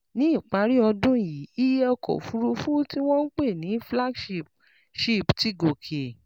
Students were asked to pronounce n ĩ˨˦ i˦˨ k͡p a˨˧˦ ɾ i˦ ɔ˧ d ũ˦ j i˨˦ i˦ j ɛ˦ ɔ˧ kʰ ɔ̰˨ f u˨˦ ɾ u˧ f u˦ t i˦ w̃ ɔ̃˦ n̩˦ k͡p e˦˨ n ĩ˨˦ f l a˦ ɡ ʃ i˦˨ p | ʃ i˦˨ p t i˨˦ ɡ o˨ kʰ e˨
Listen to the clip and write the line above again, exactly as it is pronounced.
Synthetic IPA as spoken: n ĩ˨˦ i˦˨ k͡p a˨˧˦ ɾ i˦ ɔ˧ d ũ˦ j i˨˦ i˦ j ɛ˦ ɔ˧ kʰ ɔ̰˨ f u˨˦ ɾ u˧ f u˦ t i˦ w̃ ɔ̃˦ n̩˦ k͡p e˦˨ n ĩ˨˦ f l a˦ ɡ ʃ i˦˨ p | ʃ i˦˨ p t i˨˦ ɡ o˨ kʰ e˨